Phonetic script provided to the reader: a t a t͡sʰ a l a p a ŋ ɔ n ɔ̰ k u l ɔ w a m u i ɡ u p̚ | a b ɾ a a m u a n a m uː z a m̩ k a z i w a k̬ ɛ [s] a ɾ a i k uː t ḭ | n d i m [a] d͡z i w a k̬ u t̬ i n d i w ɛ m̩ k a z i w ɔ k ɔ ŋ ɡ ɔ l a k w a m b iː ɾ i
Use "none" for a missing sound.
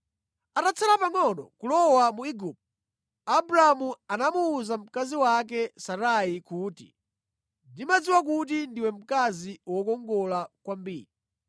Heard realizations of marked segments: s, a

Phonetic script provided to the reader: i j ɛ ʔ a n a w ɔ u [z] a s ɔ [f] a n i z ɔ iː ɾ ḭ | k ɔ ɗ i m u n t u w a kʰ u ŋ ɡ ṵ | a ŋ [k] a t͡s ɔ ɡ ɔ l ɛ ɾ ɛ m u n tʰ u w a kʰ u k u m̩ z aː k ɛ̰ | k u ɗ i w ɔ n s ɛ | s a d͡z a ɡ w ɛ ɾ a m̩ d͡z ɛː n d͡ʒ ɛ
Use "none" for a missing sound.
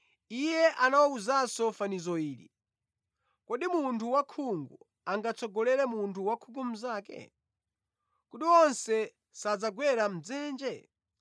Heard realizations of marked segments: z, f, ɡ

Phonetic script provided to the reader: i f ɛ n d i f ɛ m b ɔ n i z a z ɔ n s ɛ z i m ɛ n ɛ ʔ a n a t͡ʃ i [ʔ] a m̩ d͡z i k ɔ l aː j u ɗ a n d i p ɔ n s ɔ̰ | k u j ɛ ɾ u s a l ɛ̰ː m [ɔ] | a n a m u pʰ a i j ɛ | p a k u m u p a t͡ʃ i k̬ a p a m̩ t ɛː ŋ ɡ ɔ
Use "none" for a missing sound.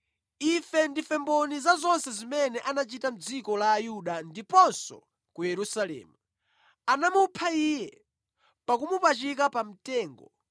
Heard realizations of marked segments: t, u

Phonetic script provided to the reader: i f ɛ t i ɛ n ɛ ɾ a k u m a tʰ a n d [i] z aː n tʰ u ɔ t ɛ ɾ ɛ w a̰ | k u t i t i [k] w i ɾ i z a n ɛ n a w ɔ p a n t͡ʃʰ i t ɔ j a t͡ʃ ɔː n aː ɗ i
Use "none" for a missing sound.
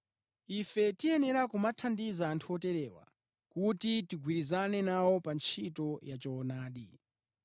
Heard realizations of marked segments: i, ɡ

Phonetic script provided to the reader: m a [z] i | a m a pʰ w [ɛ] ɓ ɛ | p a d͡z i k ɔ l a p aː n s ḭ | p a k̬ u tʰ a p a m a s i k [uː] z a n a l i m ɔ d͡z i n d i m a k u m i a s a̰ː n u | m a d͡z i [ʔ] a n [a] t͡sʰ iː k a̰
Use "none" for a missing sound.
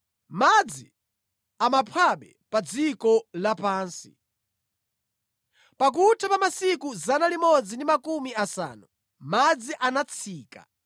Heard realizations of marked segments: d͡z, a, u, ʔ, a

